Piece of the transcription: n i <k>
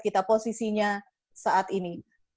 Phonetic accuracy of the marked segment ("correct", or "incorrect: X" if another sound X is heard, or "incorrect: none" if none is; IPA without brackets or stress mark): incorrect: none